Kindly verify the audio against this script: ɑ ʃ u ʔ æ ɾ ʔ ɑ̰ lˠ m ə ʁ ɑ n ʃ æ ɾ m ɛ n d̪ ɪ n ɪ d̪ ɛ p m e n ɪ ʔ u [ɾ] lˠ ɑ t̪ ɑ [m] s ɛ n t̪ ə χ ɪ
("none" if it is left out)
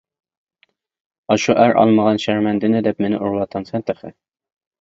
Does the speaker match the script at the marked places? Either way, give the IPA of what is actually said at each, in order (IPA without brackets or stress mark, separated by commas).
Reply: ɾ, n